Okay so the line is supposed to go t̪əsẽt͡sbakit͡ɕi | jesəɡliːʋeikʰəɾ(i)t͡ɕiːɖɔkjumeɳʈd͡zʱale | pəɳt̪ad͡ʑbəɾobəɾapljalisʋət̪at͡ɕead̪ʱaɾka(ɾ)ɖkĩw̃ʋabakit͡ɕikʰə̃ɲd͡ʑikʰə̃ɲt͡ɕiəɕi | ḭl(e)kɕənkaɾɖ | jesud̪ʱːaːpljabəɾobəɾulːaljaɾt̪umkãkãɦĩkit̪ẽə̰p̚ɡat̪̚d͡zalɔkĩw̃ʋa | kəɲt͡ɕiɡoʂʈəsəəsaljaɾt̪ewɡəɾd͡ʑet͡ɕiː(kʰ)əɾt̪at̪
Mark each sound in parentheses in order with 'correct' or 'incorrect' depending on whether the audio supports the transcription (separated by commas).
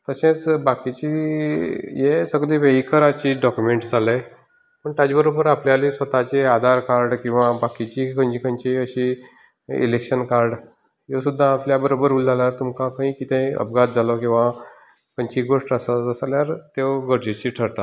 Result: incorrect, correct, correct, incorrect